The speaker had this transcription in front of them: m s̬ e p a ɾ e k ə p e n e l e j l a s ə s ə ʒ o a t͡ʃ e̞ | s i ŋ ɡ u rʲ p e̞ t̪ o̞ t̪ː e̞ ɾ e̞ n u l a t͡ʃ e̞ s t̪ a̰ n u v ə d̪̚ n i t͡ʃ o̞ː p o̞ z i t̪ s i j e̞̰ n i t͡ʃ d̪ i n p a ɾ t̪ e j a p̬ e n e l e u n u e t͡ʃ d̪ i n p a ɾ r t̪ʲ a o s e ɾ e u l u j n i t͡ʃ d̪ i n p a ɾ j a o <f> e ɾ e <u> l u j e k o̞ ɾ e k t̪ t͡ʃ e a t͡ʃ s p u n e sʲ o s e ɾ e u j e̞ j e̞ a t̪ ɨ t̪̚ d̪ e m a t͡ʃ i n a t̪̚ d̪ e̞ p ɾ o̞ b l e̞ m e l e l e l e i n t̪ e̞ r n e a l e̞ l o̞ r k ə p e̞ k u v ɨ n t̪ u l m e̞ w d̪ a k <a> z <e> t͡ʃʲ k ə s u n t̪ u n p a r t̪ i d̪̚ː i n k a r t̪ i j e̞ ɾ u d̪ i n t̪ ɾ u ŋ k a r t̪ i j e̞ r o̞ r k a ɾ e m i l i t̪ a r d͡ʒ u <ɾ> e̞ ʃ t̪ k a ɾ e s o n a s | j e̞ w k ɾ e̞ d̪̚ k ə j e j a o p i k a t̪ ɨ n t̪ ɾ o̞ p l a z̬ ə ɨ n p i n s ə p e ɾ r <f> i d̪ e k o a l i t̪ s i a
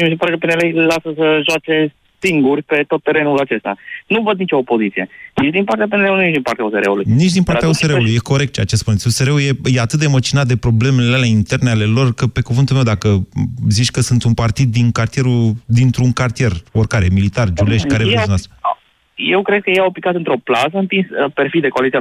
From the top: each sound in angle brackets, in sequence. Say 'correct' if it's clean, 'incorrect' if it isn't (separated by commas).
incorrect, correct, incorrect, incorrect, incorrect, correct